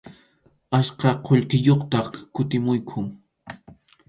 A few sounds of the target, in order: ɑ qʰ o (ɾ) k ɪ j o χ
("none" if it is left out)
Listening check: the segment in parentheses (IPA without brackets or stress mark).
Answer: ʎ